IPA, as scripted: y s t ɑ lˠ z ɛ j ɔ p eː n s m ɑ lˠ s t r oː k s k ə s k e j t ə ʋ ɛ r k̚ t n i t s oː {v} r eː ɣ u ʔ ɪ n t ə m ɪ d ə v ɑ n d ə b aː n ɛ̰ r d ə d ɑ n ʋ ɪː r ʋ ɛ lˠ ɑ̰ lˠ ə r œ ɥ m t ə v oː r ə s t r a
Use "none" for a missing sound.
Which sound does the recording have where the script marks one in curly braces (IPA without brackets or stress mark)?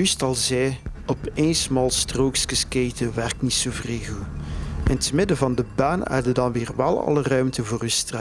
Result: v